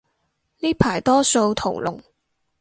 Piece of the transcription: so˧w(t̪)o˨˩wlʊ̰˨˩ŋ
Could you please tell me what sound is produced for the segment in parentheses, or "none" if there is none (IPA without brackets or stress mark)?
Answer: t̪ʰ